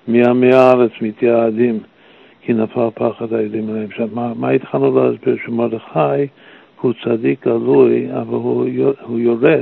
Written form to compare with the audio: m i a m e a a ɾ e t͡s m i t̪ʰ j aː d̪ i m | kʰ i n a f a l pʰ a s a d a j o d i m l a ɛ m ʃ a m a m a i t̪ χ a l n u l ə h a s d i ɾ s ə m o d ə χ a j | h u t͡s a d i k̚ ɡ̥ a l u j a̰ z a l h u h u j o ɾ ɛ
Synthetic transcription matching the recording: m i a m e a a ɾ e t͡s m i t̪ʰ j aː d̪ i m | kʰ i n a f a l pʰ a χ a d a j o d i m l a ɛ m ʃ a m a m a i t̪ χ a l n u l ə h a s b i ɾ ʃ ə m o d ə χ a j | h u t͡s a d i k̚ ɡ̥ a l u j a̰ v a l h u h u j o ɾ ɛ